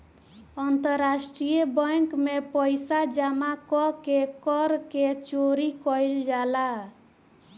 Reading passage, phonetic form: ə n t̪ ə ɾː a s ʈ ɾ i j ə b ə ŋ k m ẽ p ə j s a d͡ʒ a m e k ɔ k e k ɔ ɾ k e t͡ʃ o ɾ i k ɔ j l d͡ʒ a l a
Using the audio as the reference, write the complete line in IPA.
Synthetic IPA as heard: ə n t̪ ə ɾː a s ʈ ɾ i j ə b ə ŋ k m e p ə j s a d͡ʒ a m a k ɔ k e k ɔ ɾ k e t͡ʃ o ɾ i k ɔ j l d͡ʒ a l a